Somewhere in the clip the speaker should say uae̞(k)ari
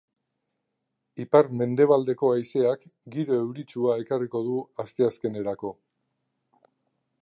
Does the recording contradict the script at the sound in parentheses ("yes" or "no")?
no